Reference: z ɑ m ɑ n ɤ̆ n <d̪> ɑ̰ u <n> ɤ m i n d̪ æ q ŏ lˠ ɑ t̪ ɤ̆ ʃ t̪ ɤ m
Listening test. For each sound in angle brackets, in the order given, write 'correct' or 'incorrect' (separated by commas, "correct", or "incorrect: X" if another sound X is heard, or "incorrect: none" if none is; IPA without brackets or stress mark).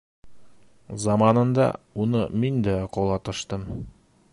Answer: correct, correct